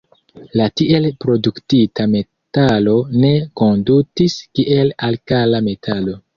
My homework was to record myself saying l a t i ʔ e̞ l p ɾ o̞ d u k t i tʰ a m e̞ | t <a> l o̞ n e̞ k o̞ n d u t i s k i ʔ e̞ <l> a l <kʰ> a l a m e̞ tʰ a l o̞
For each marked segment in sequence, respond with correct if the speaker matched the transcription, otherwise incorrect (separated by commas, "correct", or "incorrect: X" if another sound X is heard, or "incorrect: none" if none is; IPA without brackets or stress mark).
correct, correct, incorrect: k